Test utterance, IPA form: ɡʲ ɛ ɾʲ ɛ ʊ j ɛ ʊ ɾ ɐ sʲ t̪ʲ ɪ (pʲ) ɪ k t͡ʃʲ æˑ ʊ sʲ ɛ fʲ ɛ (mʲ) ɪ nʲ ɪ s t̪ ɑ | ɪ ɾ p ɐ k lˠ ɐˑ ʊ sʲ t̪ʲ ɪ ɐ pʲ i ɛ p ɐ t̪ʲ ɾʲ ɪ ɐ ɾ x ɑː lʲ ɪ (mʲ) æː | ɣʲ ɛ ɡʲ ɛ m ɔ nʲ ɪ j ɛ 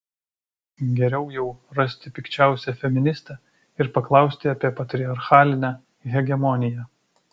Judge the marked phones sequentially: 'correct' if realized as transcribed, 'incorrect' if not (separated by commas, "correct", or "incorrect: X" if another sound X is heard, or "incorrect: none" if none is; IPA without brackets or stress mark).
correct, correct, incorrect: nʲ